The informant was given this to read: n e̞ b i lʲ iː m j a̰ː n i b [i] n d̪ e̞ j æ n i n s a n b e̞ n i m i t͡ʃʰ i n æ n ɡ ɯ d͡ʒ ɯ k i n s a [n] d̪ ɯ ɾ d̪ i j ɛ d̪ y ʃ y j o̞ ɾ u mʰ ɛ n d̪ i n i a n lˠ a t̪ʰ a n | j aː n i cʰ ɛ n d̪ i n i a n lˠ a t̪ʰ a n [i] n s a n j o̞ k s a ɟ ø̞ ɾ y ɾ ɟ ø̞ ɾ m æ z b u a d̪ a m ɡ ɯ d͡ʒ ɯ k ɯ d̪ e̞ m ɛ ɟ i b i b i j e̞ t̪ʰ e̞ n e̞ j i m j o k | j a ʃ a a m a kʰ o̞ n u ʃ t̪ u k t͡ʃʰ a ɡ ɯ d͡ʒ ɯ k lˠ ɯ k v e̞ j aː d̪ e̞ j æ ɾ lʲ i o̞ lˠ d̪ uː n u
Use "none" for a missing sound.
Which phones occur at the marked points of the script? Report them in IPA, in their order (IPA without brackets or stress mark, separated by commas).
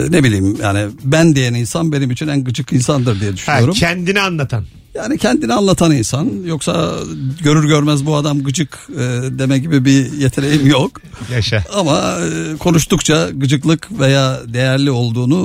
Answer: æ, n, i